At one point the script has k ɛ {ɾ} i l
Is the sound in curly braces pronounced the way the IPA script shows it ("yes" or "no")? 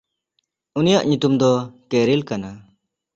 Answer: yes